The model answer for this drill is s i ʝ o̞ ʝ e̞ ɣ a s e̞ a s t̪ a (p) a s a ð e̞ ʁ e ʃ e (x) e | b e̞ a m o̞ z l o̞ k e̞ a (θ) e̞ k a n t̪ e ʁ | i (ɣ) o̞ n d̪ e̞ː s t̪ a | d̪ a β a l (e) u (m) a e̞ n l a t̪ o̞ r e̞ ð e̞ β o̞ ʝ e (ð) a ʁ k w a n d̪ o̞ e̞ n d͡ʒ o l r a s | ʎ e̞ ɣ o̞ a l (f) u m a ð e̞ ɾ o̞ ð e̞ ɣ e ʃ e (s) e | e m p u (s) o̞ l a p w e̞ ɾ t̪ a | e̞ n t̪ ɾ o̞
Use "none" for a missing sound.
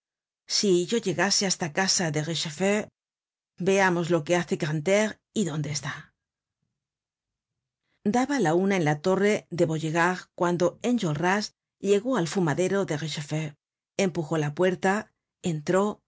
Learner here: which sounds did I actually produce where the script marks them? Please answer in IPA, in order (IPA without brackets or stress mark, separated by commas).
k, f, θ, ð, a, n, ɣ, f, f, x